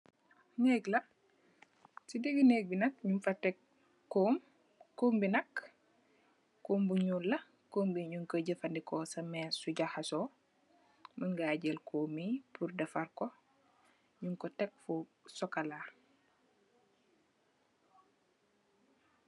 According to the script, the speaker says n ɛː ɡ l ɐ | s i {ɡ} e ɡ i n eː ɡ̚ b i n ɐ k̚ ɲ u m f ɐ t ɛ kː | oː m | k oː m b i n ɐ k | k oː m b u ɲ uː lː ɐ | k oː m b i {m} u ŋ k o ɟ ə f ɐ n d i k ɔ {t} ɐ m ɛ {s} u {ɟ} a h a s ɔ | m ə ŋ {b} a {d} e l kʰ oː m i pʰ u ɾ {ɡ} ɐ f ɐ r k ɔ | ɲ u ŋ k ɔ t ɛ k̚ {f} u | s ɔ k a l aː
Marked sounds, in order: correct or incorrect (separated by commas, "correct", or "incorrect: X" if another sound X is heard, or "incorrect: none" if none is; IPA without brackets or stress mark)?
incorrect: d, incorrect: ɲ, incorrect: s, correct, correct, incorrect: ɡ, incorrect: ɟ, incorrect: d, correct